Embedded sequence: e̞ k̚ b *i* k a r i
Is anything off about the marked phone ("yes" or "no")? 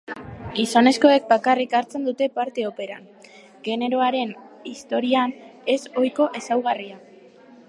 yes